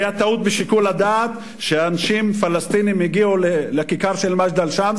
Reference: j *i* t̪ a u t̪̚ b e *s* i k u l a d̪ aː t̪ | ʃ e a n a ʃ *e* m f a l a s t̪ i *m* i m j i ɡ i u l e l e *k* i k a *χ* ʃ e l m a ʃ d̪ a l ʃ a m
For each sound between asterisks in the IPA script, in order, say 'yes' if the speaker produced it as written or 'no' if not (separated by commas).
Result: no, no, no, no, yes, no